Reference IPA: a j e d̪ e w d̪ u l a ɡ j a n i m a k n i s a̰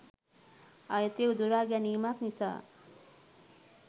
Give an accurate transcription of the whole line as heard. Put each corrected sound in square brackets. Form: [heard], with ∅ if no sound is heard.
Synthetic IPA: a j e [t̪] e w d̪ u [ɾ] a ɡ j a n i m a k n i s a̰